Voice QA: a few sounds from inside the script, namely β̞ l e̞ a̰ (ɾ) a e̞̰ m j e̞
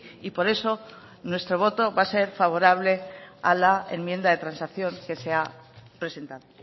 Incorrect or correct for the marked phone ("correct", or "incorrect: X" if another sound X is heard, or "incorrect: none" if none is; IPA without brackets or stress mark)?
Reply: incorrect: l